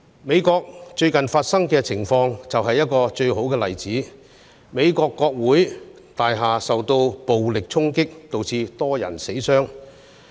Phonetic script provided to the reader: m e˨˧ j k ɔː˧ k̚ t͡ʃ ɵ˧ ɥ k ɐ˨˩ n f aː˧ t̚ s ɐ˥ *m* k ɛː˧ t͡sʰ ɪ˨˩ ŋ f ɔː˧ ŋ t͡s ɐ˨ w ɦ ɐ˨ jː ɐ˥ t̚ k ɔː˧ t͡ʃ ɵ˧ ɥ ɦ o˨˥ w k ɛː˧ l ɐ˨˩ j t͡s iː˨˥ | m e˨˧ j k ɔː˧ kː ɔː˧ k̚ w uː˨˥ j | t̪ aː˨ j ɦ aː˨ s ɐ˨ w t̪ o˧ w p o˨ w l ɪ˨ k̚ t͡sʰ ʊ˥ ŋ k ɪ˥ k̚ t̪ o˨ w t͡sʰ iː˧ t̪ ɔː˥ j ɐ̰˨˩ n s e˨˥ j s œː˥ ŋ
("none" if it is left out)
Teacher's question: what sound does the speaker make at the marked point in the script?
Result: ŋ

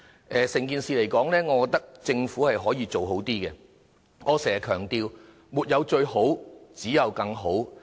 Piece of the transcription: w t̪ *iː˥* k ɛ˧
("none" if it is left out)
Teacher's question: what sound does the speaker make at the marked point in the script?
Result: iː˥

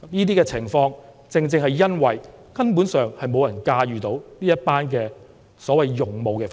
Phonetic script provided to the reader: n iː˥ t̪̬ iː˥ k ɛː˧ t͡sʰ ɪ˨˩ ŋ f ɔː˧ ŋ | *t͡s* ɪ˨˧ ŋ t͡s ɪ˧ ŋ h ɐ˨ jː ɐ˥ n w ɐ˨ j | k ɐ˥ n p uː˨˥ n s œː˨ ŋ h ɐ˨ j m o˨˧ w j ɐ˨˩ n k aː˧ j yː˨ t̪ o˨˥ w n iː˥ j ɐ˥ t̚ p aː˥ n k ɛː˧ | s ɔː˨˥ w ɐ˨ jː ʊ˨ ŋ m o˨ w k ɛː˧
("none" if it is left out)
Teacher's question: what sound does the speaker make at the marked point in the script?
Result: t͡s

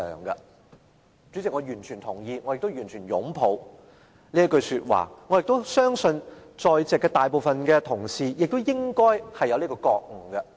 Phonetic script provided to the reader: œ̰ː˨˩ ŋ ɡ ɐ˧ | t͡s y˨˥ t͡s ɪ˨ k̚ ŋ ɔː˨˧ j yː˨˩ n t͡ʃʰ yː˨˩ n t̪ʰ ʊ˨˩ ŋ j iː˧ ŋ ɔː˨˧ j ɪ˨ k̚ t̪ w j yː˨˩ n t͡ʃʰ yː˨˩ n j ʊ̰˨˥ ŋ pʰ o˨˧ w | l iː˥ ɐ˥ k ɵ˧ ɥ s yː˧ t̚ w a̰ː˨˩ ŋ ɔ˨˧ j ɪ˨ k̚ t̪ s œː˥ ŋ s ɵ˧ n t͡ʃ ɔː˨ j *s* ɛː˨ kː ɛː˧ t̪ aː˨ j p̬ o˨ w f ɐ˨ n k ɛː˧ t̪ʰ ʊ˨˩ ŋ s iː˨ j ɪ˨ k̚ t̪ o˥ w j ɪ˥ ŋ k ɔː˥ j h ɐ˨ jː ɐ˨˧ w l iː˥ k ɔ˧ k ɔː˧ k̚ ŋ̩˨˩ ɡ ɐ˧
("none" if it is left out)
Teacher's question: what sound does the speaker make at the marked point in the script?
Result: t͡s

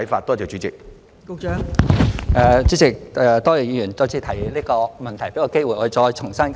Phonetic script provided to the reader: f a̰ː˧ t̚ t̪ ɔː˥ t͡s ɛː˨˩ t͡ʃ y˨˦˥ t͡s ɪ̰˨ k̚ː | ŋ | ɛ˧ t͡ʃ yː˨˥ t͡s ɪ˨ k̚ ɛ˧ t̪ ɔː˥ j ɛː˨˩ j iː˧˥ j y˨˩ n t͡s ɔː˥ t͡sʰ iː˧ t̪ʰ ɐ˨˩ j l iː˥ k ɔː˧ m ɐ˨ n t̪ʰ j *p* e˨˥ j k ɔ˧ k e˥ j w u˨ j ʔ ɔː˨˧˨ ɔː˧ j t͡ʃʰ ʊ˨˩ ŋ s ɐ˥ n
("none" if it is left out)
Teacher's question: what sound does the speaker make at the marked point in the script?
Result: p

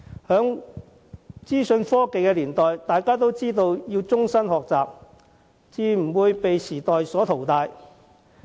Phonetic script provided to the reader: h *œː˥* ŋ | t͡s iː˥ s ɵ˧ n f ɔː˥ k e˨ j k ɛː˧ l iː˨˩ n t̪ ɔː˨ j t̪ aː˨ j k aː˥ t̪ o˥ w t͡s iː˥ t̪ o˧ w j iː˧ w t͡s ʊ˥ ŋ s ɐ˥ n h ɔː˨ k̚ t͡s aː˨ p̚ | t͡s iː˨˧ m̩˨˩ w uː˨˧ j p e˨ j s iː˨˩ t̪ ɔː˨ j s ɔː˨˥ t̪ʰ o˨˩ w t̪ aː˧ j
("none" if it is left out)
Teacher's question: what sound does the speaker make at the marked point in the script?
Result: œː˨˥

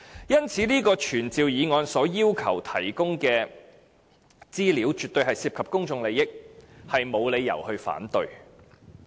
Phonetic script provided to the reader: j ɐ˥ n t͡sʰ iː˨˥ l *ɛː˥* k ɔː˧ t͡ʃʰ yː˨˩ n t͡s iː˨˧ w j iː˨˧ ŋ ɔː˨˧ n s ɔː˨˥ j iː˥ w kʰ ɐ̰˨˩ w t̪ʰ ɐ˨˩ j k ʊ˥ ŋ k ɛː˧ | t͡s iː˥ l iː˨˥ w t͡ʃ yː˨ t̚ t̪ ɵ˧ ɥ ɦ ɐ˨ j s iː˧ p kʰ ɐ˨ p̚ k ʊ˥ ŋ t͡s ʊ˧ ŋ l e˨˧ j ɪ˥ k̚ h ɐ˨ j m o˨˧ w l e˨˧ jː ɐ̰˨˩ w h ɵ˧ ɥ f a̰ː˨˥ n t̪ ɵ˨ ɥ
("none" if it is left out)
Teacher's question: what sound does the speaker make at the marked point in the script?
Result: iː˥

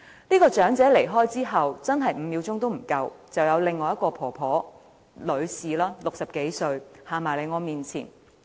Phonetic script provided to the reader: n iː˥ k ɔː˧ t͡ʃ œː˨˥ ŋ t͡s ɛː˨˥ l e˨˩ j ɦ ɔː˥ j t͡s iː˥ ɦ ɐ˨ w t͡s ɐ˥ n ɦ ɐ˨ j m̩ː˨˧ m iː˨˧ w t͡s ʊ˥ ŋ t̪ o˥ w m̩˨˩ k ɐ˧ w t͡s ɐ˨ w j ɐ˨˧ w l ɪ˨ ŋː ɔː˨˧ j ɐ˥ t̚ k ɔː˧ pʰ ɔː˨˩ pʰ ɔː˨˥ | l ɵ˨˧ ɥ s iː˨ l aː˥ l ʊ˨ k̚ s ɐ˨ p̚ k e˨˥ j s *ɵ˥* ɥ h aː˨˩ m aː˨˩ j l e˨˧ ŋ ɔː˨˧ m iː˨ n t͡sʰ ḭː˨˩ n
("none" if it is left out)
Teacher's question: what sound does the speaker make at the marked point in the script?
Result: ɵ˧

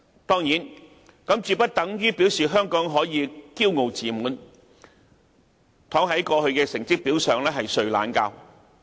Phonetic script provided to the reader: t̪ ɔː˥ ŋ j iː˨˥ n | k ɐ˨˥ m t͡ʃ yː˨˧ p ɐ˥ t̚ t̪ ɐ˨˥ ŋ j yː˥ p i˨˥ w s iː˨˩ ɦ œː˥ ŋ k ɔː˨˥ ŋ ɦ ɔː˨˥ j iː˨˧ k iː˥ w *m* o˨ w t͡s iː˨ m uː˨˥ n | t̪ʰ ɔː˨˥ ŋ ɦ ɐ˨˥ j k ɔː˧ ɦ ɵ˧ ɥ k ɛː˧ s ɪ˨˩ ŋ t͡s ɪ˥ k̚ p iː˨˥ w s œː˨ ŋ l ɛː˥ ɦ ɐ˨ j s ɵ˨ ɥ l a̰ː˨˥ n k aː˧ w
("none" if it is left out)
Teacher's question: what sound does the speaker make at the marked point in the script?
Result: ŋ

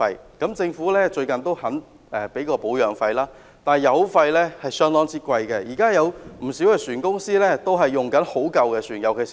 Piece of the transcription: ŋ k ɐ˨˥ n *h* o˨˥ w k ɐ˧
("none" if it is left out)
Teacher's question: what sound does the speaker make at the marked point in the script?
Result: h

